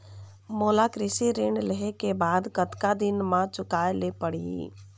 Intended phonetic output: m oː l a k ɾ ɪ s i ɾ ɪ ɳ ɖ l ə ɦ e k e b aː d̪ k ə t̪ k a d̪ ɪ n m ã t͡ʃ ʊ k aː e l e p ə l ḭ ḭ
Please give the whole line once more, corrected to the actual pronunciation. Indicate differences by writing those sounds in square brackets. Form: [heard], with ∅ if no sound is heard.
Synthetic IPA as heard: m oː l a k ɾ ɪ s i ɾ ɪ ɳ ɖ l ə ɦ e k e b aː d̪ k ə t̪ k a d̪ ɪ n m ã t͡ʃ ʊ k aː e l e p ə [ɽ] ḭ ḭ